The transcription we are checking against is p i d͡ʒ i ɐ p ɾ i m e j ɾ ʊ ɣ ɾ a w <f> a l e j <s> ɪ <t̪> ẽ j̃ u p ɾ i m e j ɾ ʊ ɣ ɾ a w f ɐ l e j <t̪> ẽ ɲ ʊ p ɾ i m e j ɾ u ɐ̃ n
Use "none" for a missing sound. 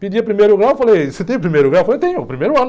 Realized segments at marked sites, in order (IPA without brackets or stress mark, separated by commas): f, s, t̪, t̪